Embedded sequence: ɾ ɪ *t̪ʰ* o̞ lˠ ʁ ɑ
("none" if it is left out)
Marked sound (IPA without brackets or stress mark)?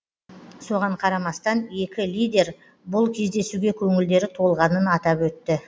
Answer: t̪ʰ